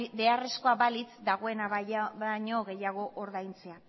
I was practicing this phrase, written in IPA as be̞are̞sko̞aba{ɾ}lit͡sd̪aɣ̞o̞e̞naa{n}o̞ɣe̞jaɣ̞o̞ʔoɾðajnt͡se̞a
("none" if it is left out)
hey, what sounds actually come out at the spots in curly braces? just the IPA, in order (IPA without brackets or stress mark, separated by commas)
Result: none, ɲ